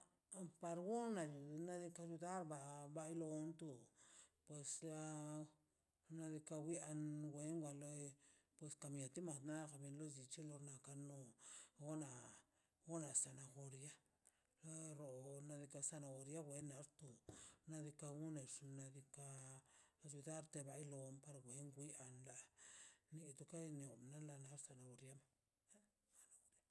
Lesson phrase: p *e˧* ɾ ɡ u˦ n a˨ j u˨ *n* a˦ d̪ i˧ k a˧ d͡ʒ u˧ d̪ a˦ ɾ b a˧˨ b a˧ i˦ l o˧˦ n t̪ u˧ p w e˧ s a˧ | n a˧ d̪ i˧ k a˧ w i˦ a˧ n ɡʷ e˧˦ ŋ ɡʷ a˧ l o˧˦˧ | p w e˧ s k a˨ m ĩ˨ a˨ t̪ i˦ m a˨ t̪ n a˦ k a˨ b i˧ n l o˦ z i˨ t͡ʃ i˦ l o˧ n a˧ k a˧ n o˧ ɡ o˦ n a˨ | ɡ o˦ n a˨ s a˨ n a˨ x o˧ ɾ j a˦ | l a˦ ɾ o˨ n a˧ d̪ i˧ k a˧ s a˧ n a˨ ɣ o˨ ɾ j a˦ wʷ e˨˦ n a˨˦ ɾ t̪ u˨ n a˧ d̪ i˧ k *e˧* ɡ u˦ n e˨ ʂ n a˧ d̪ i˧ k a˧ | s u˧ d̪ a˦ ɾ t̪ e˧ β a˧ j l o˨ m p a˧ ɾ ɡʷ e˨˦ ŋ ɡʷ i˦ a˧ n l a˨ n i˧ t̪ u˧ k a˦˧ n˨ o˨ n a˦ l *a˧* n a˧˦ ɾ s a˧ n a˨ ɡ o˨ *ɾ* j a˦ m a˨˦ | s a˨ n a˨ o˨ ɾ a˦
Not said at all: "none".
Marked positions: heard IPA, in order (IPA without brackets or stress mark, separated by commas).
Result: a˧, n, a˧, a˧, ɾ